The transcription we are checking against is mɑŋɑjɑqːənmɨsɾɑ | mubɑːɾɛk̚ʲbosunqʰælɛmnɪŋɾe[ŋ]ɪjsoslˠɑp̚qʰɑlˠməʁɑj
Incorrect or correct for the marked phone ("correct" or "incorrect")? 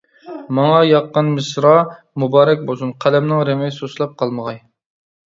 incorrect